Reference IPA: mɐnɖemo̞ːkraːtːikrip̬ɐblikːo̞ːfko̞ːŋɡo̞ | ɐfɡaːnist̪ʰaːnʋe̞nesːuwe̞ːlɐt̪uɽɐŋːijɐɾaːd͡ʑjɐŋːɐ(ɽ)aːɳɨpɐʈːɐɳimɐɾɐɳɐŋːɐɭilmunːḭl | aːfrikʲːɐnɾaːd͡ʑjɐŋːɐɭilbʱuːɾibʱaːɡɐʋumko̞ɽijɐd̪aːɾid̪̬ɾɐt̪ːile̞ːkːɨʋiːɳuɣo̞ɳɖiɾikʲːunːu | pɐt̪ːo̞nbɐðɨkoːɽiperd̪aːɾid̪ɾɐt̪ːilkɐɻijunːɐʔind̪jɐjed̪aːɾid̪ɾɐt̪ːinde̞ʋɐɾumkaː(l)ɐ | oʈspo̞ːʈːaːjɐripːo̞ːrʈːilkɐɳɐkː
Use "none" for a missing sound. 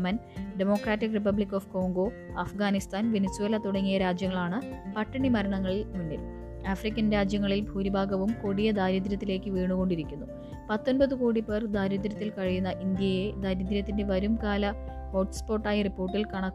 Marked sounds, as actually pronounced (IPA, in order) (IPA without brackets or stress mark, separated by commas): ɭ, l